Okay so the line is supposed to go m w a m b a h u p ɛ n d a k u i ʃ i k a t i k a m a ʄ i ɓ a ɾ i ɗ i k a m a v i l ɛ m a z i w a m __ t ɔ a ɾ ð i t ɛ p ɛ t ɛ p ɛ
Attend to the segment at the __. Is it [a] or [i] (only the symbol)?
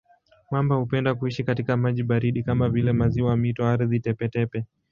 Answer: i